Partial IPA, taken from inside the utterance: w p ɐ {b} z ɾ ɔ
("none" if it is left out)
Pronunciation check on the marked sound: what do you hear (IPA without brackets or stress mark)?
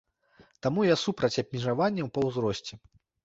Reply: w